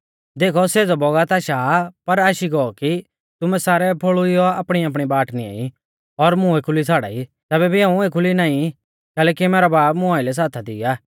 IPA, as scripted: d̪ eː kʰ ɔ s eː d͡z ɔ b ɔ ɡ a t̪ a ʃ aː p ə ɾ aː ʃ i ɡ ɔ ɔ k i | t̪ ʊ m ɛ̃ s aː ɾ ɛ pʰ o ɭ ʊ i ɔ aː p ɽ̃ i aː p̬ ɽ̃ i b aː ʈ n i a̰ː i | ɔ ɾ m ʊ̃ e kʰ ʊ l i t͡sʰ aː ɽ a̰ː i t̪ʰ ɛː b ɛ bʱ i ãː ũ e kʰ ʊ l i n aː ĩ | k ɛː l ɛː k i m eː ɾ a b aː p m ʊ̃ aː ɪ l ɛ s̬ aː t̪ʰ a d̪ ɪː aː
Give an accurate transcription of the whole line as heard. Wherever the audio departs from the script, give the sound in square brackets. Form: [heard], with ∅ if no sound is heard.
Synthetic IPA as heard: d̪ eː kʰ ɔ s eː d͡z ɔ b ɔ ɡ a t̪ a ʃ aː p [ɐ] ɾ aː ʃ i ɡ ɔ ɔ k i | t̪ ʊ m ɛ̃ s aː ɾ ɛ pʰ o ɭ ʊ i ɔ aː p ɽ̃ i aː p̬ ɽ̃ i b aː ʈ n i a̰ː i | ɔ ɾ m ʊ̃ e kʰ ʊ l i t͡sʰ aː ɽ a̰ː i [t̪] ɛː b ɛ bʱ i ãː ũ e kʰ ʊ l i n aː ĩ | k ɛː l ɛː k i m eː ɾ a b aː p m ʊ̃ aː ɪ l ɛ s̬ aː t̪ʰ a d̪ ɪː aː